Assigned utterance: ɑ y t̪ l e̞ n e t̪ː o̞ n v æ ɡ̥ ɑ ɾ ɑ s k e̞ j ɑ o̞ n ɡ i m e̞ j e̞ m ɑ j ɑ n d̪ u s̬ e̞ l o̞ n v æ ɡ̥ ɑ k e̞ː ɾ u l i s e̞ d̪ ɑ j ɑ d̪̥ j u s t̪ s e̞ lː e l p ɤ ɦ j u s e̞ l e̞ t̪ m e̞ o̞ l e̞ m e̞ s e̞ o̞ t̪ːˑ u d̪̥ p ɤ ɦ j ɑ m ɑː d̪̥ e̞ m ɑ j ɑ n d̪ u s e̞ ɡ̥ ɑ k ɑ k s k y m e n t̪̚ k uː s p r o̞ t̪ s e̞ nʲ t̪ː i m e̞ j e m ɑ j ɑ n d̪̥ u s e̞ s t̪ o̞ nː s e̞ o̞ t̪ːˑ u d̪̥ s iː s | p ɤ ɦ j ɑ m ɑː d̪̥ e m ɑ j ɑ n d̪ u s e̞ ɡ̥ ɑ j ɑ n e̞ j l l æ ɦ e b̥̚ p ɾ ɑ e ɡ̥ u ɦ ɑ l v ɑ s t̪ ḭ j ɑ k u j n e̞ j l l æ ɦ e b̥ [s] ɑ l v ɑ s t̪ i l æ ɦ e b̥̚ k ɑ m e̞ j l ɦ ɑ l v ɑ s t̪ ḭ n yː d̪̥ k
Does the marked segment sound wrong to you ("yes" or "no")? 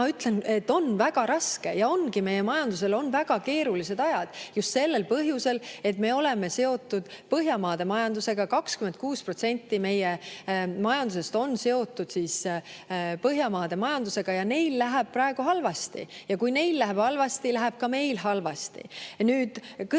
yes